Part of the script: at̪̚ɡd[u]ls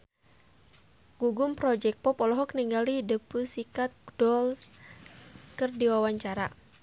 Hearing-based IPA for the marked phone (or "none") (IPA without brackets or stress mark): ɔ